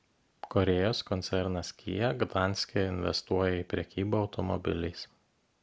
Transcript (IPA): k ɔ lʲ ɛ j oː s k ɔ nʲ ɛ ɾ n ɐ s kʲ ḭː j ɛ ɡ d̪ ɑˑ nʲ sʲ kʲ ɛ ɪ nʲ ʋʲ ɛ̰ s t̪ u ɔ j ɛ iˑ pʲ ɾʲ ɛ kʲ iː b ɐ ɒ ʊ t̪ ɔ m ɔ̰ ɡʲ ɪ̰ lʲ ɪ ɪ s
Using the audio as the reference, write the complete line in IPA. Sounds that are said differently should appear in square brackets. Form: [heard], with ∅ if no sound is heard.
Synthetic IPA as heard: k ɔ [ɾʲ] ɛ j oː s k ɔ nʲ ɛ ɾ n ɐ s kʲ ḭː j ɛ ɡ d̪ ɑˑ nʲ sʲ kʲ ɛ ɪ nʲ ʋʲ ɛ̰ s t̪ u ɔ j ɛ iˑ pʲ ɾʲ ɛ kʲ iː b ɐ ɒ ʊ t̪ ɔ m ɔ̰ [bʲ] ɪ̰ lʲ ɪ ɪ s